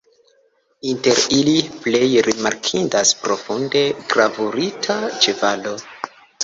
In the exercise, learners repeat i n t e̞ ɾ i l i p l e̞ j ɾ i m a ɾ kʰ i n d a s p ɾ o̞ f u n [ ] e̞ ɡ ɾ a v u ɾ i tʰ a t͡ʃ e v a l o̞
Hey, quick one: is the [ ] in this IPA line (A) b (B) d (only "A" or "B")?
B